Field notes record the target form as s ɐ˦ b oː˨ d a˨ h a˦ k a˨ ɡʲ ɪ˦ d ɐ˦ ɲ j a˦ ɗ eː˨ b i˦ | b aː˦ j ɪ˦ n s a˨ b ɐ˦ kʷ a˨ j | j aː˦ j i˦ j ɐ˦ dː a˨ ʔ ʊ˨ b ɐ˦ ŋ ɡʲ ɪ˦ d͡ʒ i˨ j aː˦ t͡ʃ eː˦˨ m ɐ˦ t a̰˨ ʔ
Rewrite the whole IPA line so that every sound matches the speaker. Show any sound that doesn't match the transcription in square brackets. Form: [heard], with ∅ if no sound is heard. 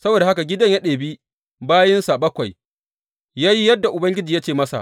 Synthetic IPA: s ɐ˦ b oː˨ d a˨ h a˦ k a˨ ɡʲ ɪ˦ d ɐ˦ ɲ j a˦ ɗ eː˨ b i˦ | b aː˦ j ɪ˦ n s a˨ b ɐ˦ kʷ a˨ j | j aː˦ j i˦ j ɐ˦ dː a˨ ʔ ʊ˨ b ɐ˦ ŋ ɡʲ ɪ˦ d͡ʒ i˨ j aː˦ t͡ʃ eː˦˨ m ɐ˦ [s] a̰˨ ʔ